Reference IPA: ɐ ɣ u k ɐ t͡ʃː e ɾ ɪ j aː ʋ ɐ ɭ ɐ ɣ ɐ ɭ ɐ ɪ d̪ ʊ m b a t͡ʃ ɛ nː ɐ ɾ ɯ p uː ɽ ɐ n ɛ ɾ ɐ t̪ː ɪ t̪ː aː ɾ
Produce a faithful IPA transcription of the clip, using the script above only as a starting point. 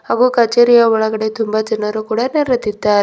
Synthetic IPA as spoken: ɐ ɣ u k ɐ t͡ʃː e ɾ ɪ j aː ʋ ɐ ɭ ɐ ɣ ɐ ɽ ɐ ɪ t̪ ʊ m b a t͡ʃ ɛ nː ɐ ɾ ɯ k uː ɽ ɐ n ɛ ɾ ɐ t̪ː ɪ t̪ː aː ɾ

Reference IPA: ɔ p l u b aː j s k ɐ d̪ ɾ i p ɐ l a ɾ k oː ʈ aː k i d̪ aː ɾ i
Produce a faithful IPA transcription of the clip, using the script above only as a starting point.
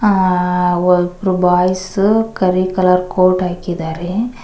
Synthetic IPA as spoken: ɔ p ɾ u b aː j s k ɐ ɾ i k ɐ l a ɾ k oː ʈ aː k i d̪ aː ɾ e

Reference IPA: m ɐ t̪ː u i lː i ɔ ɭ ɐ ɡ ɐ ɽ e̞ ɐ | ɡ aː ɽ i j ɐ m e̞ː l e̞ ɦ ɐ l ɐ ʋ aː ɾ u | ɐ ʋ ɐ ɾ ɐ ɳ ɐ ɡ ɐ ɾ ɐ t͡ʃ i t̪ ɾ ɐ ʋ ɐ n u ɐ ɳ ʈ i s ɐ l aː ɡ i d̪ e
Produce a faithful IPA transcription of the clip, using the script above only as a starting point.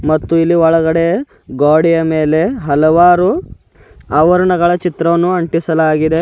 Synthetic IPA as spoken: m ɐ t̪ː u i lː i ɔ ɭ ɐ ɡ ɐ ɽ e̞ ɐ | ɡ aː ɽ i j ɐ m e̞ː l e̞ ɦ ɐ l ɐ ʋ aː ɾ u | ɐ ʋ ɐ ɾ ɐ ɳ ɐ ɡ ɐ ɭ ɐ t͡ʃ i t̪ ɾ ɐ ʋ ɐ nː u ɐ ɳ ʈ i s ɐ l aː ɡ i d̪ e

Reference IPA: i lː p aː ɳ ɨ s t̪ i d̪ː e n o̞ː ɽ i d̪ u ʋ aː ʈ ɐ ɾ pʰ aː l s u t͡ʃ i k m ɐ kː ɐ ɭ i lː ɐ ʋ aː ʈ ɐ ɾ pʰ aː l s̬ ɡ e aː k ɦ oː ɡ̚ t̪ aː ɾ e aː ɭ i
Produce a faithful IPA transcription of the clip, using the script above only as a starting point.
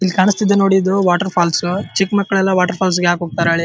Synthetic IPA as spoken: i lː k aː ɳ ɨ s t̪ i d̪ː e n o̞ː ɽ i d̪ u ʋ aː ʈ ɐ ɾ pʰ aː l s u t͡ʃ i k m ɐ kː ɐ ɭ ɛ lː ɐ ʋ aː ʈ ɐ ɾ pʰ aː l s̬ ɡ e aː k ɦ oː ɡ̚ t̪ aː ɾ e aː ɭ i

